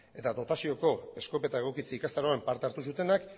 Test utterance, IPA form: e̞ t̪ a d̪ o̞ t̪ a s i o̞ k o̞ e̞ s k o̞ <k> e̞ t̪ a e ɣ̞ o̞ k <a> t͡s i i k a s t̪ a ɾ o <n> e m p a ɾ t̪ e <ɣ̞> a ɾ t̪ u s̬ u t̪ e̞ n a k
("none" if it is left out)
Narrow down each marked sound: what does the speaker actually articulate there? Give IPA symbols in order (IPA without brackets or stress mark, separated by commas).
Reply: p, i, none, none